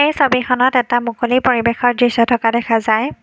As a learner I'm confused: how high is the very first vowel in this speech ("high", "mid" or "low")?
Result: mid